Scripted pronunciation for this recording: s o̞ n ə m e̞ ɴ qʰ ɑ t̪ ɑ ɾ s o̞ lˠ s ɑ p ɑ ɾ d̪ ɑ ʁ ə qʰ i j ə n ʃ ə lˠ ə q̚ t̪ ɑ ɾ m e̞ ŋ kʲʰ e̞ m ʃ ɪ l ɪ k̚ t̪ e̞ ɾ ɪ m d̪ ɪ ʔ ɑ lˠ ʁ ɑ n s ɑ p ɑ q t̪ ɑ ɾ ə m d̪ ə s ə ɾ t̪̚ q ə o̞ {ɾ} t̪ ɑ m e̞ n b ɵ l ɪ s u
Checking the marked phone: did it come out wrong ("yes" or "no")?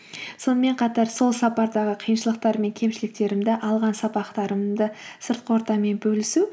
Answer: no